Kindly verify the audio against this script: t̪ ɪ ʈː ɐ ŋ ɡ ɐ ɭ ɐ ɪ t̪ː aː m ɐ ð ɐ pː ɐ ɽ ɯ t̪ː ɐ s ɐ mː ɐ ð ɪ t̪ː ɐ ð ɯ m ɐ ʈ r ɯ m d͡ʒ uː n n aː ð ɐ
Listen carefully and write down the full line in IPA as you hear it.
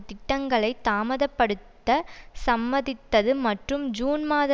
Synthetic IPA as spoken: t̪ ɪ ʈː ɐ ŋ ɡ ɐ ɭ ɐ ɪ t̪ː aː m ɐ ð ɐ pː ɐ ɽ ɯ t̪ː ɐ s ɐ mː ɐ ð ɪ t̪ː ɐ ð ɯ m ɐ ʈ r ɯ m d͡ʒ uː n m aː ð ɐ

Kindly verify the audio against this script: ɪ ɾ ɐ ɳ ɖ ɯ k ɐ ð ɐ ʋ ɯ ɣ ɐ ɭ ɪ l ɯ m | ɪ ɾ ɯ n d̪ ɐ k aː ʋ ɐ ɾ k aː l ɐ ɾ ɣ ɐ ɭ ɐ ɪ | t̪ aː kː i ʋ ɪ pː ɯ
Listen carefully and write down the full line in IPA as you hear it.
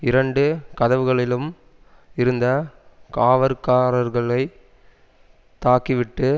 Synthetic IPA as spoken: ɪ ɾ ɐ ɳ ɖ ɯ k ɐ ð ɐ ʋ ɯ ɣ ɐ ɭ ɪ l ɯ m | ɪ ɾ ɯ n d̪ ɐ k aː ʋ ɐ ɾ k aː ɾ ɐ ɾ ɣ ɐ ɭ ɐ ɪ | t̪ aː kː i ʋ ɪ ʈː ɯ

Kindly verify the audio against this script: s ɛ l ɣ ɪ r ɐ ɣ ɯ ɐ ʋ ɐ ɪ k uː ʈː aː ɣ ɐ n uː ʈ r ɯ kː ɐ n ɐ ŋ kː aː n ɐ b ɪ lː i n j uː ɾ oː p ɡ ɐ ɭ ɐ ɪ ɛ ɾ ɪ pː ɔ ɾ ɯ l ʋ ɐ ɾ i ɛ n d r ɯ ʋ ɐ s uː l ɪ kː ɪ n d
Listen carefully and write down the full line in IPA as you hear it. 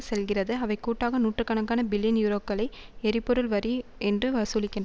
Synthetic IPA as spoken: s ɛ l ɣ ɪ r ɐ ð ɯ ɐ ʋ ɐ ɪ k uː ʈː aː ɣ ɐ n uː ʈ r ɯ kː ɐ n ɐ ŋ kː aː n ɐ b ɪ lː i n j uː ɾ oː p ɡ ɐ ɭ ɐ ɪ ɛ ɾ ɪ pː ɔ ɾ ɯ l ʋ ɐ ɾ i ɛ n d r ɯ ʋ ɐ s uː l ɪ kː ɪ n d

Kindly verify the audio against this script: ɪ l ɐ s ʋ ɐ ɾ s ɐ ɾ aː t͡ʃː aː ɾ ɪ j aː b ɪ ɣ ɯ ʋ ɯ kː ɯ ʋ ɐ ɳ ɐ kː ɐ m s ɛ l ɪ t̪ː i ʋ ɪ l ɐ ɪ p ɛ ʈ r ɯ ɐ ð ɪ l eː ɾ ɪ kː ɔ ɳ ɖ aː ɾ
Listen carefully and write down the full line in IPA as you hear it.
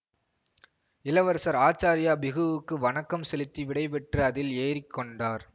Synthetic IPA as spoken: ɪ l ɐ ʋ ɐ ɾ s ɐ ɾ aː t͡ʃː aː ɾ ɪ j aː b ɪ ɣ ɯ ʋ ɯ kː ɯ ʋ ɐ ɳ ɐ kː ɐ m s ɛ l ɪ t̪ː i ʋ ɪ ɽ ɐ ɪ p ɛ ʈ r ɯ ɐ ð ɪ l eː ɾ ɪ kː ɔ ɳ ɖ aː ɾ

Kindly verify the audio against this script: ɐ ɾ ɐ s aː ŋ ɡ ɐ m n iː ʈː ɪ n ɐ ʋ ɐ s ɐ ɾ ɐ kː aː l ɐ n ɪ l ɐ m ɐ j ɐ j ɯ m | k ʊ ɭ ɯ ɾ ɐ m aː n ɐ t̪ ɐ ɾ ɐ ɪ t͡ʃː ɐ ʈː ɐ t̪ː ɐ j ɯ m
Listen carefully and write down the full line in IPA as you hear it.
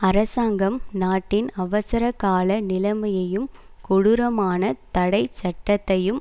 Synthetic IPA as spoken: ɐ ɾ ɐ s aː ŋ ɡ ɐ m n aː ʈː ɪ n ɐ ʋ ɐ s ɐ ɾ ɐ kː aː l ɐ n ɪ l ɐ m ɐ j ɐ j ɯ m | k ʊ ɽ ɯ ɾ ɐ m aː n ɐ t̪ ɐ ɽ ɐ ɪ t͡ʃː ɐ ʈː ɐ t̪ː ɐ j ɯ m

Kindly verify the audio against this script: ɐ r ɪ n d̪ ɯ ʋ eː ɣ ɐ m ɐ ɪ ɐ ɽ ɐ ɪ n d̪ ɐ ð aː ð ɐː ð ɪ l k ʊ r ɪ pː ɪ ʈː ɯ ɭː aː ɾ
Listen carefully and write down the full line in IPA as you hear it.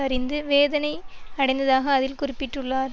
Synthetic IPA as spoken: ɐ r ɪ n d̪ ɯ ʋ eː ð ɐ n ɐ ɪ ɐ ɽ ɐ ɪ n d̪ ɐ ð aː ɣ ɐː ð ɪ l k ʊ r ɪ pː ɪ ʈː ɯ ɭː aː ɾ

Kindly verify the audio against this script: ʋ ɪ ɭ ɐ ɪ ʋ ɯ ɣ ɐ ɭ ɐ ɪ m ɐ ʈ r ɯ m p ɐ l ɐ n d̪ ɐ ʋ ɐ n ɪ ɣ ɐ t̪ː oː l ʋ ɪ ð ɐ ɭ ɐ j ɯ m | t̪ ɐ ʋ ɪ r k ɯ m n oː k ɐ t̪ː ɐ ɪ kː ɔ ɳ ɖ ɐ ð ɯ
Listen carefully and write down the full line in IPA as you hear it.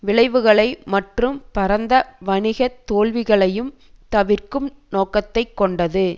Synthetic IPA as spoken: ʋ ɪ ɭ ɐ ɪ ʋ ɯ ɣ ɐ ɭ ɐ ɪ m ɐ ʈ r ɯ m p ɐ ɾ ɐ n d̪ ɐ ʋ ɐ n ɪ ɣ ɐ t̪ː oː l ʋ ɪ ɣ ɐ ɭ ɐ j ɯ m | t̪ ɐ ʋ ɪ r k ɯ m n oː k ɐ t̪ː ɐ ɪ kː ɔ ɳ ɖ ɐ ð ɯ

